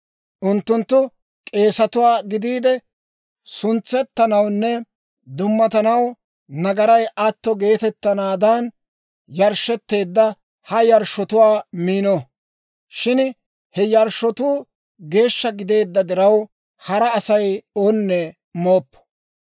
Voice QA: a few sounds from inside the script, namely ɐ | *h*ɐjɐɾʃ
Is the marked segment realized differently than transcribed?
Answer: no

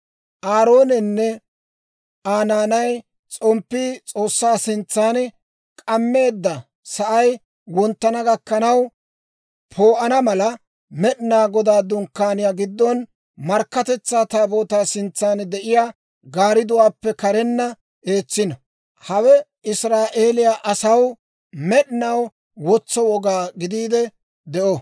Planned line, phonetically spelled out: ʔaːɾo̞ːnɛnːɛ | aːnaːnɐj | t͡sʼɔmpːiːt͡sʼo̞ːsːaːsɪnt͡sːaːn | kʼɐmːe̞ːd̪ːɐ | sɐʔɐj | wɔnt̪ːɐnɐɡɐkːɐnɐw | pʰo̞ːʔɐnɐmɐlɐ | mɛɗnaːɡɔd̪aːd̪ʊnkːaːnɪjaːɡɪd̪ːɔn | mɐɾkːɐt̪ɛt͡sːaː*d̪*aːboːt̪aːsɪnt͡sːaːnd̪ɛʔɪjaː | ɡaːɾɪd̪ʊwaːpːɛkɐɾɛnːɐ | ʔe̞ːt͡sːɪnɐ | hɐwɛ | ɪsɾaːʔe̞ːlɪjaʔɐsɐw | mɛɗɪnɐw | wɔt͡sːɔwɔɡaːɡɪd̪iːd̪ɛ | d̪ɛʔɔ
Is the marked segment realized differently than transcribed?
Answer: yes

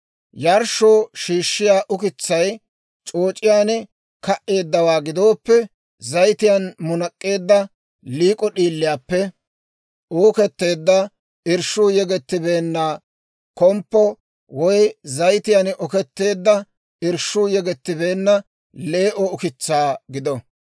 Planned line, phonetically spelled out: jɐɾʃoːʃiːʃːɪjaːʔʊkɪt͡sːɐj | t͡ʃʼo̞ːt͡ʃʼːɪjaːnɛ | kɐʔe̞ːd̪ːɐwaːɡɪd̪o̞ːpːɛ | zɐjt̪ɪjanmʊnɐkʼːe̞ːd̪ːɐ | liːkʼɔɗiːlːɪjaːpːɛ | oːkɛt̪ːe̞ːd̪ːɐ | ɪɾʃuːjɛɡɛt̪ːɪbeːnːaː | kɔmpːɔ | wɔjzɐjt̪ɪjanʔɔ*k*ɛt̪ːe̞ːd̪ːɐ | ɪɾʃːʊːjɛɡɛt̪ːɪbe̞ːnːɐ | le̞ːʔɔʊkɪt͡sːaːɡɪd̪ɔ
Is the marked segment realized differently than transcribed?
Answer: no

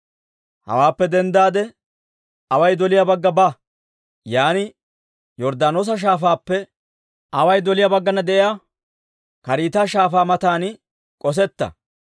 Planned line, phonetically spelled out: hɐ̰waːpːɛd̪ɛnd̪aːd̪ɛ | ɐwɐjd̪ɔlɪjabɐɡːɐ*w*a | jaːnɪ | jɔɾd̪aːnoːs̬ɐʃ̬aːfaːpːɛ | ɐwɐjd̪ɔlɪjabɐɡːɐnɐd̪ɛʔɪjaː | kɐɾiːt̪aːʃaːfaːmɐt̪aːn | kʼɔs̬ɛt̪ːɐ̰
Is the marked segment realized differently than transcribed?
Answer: yes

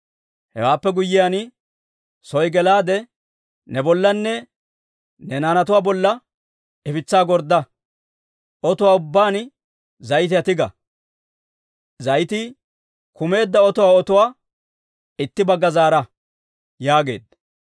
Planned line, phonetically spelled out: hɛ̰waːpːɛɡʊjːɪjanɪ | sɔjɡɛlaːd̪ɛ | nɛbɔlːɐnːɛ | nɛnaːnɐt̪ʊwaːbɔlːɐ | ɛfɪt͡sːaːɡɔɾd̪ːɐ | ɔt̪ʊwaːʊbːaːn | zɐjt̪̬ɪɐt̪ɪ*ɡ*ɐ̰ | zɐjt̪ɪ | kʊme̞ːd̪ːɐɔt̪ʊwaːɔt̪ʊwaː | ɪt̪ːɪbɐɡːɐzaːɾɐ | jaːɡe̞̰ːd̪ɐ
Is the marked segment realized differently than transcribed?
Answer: no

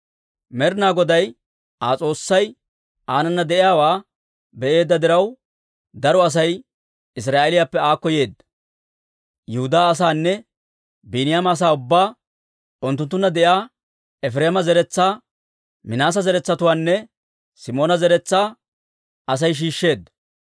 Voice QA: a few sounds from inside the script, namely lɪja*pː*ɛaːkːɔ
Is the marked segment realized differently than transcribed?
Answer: no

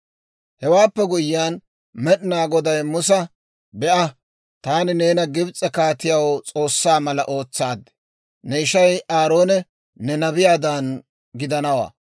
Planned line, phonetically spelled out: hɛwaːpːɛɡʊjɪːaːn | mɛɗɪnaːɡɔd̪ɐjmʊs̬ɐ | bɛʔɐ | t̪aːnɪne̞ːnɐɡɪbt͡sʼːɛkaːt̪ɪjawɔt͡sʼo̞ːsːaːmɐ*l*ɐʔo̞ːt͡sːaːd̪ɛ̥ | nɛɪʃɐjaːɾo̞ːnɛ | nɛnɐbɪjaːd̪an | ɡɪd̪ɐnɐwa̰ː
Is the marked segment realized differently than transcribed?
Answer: no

